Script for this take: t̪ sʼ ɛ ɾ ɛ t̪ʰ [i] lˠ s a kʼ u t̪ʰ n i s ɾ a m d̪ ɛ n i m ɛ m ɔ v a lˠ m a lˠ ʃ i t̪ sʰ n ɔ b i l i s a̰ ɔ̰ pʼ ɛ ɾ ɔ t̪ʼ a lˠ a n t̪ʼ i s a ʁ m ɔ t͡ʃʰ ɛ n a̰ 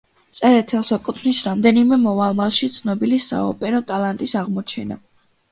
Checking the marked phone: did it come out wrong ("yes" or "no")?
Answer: yes